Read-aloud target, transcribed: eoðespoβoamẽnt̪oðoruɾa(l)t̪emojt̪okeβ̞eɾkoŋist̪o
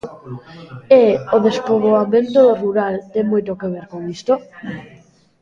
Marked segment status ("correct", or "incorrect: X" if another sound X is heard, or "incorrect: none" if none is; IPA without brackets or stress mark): correct